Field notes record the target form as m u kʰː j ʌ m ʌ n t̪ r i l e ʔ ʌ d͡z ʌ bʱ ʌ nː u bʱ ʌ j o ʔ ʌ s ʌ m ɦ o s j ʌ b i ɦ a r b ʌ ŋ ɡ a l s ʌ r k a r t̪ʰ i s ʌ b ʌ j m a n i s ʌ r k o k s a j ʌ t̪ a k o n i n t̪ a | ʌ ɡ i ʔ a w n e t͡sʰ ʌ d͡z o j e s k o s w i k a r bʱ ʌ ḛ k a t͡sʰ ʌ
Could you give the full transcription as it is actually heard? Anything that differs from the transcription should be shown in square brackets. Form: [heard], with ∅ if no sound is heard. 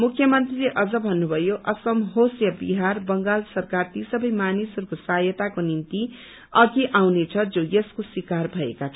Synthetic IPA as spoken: m u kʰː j ʌ m ʌ n t̪ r i l e ʔ ʌ d͡z ʌ bʱ ʌ nː u bʱ ʌ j o ʔ ʌ s ʌ m ɦ o s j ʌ b i ɦ a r b ʌ ŋ ɡ a l s ʌ r k a r [t̪] i s ʌ b ʌ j m a n i s ʌ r k o [∅] s a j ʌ t̪ a k o n i n t̪ [i] | ʌ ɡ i ʔ a w n e t͡sʰ ʌ d͡z o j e s k o s w i k a r bʱ ʌ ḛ k a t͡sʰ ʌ